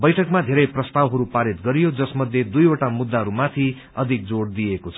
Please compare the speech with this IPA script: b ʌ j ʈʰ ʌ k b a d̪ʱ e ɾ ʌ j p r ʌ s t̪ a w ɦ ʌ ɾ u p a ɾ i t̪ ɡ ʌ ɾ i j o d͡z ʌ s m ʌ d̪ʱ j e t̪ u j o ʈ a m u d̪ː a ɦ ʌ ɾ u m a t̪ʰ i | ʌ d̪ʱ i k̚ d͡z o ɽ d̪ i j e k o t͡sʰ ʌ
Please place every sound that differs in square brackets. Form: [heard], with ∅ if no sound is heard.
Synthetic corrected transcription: b ʌ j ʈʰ ʌ k [m] a d̪ʱ e ɾ ʌ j p r ʌ s t̪ a w ɦ ʌ ɾ u p a ɾ i t̪ ɡ ʌ ɾ i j o d͡z ʌ s m ʌ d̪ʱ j e [d̪] u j o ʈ a m u d̪ː a ɦ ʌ ɾ u m a t̪ʰ i | ʌ d̪ʱ i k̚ d͡z o ɽ d̪ i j e k o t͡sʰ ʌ